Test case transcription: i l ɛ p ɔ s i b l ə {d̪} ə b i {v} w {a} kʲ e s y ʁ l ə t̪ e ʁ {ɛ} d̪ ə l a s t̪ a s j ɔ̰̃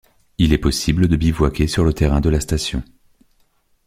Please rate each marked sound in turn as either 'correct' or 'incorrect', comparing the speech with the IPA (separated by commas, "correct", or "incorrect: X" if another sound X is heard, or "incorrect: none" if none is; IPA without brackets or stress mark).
correct, correct, correct, incorrect: ɛ̃